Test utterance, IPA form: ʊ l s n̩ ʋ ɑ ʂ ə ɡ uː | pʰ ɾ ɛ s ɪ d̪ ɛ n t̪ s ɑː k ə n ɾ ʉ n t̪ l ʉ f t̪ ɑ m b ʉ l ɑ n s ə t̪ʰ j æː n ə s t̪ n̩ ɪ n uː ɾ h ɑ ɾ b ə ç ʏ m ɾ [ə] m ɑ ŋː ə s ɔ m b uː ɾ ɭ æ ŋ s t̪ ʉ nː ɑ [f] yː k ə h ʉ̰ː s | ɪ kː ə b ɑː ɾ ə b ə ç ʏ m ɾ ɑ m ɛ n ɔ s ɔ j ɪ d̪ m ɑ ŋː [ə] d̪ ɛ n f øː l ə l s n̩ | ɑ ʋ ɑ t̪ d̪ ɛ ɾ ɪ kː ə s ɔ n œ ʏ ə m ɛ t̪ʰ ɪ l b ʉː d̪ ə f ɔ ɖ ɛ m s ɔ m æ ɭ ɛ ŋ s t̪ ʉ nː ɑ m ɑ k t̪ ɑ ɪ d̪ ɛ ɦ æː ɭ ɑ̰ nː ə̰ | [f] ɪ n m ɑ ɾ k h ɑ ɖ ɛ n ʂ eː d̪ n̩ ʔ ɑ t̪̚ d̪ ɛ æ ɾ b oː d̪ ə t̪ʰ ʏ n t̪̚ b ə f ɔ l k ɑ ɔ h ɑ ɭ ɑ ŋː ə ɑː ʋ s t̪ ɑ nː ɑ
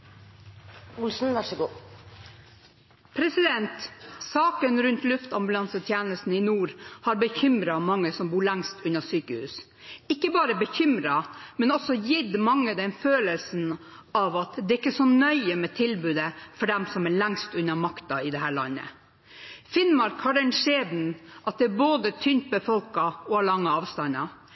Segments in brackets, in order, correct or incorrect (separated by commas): incorrect, incorrect, correct, correct